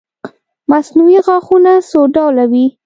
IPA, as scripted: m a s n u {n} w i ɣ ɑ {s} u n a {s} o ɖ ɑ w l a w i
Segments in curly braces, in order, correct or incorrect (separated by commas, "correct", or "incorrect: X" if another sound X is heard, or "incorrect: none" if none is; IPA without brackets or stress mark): incorrect: none, incorrect: x, correct